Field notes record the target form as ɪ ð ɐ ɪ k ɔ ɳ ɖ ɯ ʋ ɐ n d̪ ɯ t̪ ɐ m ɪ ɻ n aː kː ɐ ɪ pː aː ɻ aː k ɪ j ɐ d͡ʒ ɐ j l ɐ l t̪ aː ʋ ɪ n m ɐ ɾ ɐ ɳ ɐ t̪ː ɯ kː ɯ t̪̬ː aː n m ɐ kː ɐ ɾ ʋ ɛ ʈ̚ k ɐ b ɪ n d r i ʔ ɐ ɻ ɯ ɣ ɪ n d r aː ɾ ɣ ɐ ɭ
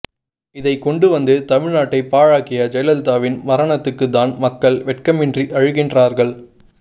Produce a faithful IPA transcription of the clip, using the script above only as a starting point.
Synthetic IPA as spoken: ɪ ð ɐ ɪ k ɔ ɳ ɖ ɯ ʋ ɐ n d̪ ɯ t̪ ɐ m ɪ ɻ n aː ʈː ɐ ɪ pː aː ɻ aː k ɪ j ɐ d͡ʒ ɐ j l ɐ l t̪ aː ʋ ɪ n m ɐ ɾ ɐ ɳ ɐ t̪ː ɯ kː ɯ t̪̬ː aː n m ɐ kː ɐ ɭ ʋ ɛ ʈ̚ k ɐ m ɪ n d r i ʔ ɐ ɻ ɯ ɣ ɪ n d r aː ɾ ɣ ɐ ɭ